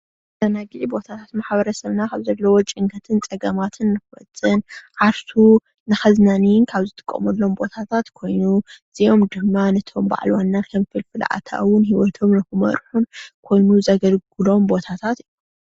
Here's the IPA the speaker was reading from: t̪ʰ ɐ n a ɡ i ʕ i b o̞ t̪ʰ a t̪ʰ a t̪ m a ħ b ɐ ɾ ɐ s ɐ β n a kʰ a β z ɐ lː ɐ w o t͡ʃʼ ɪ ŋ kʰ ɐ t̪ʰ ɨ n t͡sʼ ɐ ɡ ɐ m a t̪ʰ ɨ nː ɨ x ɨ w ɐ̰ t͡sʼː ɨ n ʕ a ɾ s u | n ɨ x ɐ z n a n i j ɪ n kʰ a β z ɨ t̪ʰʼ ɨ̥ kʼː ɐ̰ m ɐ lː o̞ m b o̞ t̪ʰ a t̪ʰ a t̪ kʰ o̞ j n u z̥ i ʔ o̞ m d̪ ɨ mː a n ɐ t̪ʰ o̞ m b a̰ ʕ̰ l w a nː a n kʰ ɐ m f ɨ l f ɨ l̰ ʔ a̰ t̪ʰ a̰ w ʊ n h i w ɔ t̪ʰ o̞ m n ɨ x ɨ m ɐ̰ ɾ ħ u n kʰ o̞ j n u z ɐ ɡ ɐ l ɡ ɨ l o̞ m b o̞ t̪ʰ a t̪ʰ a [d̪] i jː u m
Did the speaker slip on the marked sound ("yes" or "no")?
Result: yes